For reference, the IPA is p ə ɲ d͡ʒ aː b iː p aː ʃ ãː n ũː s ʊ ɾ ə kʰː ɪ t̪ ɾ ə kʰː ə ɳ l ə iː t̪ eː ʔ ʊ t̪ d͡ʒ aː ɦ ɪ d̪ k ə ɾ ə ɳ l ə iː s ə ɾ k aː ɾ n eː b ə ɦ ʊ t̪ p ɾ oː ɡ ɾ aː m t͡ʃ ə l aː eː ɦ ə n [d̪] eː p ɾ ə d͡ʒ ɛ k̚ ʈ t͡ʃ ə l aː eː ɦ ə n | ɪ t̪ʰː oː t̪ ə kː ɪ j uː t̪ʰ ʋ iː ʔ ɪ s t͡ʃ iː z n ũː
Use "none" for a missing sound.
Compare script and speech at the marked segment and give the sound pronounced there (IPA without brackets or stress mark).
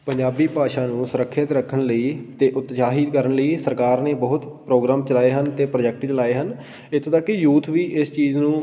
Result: t̪